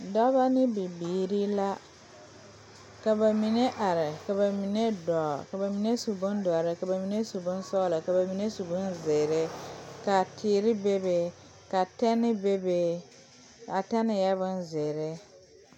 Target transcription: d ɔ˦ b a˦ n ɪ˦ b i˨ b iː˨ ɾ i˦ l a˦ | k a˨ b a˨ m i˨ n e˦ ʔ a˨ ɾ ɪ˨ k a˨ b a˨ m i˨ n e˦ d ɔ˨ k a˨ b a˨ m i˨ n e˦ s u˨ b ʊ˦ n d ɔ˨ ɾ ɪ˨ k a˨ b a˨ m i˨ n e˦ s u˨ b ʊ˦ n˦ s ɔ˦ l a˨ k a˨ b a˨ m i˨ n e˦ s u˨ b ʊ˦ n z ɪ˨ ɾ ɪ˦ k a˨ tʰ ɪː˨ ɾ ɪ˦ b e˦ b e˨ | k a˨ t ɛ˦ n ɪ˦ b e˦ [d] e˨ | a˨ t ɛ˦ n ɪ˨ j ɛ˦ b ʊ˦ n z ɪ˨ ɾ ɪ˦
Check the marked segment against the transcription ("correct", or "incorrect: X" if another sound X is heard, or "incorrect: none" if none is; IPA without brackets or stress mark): incorrect: b